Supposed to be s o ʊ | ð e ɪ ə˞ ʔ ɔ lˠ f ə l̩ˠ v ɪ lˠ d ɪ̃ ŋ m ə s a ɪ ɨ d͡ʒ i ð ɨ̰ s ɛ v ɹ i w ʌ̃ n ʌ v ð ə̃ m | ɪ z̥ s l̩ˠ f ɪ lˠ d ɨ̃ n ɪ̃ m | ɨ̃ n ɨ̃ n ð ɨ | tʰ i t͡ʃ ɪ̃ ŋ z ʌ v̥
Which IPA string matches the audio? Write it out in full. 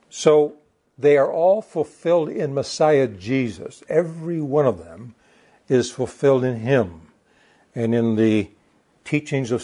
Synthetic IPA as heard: s o ʊ | ð e ɪ ə˞ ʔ ɔ lˠ f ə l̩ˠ f ɪ lˠ d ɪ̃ n m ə s a ɪ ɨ d͡ʒ i z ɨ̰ s ɛ v ɹ i w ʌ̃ n ʌ v ð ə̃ m | ɪ z̥ f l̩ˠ f ɪ lˠ d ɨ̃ n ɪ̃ m | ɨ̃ n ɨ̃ n ð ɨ | tʰ i t͡ʃ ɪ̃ ŋ z ʌ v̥